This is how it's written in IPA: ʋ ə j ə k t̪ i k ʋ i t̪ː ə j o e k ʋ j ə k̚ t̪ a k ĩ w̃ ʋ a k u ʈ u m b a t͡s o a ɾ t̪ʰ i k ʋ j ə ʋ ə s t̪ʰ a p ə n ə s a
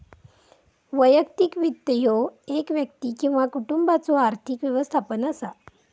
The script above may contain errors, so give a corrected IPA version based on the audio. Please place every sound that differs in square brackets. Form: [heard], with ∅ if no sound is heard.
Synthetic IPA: ʋ ə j ə k t̪ i k ʋ i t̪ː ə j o e k ʋ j ə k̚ t̪ [i] k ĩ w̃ ʋ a k u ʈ u m b a t͡s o a ɾ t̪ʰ i k ʋ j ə ʋ ə s t̪ʰ a p ə n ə s a